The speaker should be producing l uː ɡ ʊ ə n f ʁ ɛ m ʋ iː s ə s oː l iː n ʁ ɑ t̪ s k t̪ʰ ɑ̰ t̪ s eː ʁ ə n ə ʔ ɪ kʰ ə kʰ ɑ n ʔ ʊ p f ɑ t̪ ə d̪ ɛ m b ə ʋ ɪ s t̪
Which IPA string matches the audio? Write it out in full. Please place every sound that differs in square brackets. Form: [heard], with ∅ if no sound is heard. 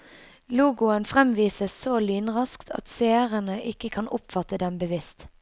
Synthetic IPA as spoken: l uː ɡ ʊ ə n f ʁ ɛ m ʋ iː s ə s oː l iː n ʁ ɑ [∅] s k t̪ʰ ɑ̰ t̪ s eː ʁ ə n ə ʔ ɪ [k] ə kʰ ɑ n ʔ ʊ p f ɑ t̪ ə d̪ ɛ m b ə ʋ ɪ s t̪